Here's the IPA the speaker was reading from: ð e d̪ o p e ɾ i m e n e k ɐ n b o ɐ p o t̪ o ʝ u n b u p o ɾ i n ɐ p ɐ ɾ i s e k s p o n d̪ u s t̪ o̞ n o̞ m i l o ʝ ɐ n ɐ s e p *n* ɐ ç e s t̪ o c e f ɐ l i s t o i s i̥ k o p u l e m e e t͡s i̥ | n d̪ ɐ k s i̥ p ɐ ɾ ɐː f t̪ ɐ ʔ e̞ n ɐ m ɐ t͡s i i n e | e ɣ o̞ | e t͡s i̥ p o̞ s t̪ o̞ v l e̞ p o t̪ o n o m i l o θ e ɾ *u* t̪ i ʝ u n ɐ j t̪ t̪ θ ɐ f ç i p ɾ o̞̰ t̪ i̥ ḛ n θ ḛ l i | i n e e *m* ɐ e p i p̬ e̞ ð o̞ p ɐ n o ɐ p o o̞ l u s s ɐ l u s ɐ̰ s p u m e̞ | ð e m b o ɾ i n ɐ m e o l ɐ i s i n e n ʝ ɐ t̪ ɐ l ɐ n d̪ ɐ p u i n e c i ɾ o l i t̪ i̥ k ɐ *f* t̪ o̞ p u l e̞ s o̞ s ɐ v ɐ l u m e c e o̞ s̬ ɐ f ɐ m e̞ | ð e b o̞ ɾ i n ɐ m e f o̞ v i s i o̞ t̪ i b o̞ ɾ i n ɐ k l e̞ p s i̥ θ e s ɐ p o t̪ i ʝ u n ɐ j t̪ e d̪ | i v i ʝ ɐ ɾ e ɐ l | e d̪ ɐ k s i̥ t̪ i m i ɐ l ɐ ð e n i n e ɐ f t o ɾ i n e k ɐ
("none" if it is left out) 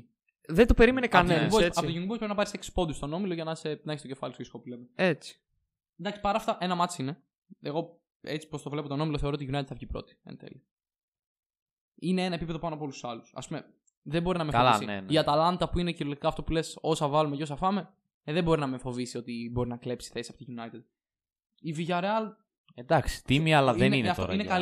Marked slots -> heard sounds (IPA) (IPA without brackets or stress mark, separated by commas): n, o, n, f